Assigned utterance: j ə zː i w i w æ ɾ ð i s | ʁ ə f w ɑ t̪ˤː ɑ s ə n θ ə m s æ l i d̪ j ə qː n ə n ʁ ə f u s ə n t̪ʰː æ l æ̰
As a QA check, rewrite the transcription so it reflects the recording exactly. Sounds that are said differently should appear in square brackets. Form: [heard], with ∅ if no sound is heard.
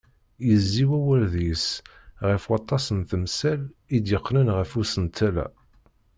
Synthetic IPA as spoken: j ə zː i w [æ] w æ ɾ ð i s | ʁ ə f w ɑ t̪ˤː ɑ s ə n θ ə m s æ l i d̪ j ə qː n ə n ʁ ə f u s ə n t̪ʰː æ l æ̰